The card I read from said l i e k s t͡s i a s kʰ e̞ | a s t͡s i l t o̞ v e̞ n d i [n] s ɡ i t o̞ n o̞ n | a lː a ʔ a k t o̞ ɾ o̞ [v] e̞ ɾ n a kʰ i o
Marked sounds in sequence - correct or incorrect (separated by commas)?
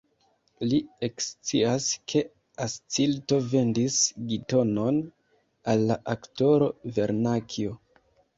incorrect, correct